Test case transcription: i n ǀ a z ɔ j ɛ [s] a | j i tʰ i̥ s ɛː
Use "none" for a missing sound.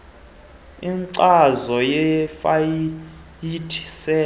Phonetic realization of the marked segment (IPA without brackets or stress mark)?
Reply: f